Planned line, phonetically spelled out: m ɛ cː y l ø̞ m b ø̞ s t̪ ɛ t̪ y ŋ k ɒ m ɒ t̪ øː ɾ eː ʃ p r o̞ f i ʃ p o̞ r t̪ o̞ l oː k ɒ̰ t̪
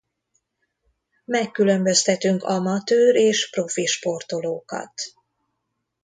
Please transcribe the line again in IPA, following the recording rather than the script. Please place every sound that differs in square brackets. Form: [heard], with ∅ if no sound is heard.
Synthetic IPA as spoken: m ɛ [kː] y l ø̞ m b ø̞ s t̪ ɛ t̪ y ŋ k ɒ m ɒ t̪ øː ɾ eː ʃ p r o̞ f i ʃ p o̞ r t̪ o̞ l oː k ɒ̰ t̪